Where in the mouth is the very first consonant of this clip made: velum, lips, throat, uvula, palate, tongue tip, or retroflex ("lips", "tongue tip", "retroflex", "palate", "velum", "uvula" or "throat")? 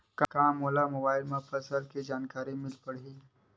velum